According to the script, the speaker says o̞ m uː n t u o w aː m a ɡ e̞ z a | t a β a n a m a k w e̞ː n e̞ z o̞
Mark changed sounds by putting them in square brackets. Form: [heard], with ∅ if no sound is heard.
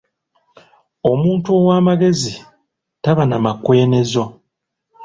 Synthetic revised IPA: o̞ m uː n t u o w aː m a ɡ e̞ z [i] | t a β a n a m a k w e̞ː n e̞ z o̞